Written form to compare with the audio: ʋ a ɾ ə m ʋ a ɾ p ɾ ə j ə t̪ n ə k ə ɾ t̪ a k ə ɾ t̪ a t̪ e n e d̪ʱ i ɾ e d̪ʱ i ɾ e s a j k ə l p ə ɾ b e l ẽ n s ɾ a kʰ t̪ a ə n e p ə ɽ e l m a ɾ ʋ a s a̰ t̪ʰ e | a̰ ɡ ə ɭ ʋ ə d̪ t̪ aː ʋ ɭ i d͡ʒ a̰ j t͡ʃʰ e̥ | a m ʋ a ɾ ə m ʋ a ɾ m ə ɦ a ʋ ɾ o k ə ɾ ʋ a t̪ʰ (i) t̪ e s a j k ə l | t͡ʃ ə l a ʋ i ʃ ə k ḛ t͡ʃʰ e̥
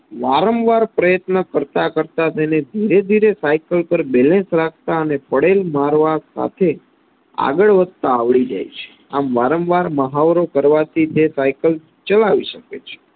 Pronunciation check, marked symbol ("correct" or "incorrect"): correct